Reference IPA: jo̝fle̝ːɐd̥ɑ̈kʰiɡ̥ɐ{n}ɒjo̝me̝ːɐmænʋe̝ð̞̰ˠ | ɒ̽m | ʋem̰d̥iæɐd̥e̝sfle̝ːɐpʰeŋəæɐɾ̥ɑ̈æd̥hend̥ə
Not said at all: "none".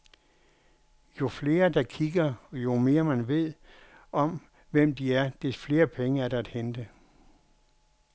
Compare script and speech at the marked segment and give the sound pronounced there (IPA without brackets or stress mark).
none